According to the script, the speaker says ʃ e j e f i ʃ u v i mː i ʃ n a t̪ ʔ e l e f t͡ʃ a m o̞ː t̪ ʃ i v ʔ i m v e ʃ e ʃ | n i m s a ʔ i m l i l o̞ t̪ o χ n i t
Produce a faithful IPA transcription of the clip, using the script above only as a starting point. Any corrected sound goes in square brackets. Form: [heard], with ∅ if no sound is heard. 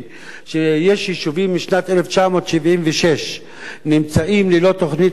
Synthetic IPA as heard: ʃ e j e [ʃ] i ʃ u v i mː i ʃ n a t̪ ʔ e l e f t͡ʃ a m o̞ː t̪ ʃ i v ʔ i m v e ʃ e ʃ | n i m [t͡s] a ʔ i m l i l o̞ t̪ o χ n i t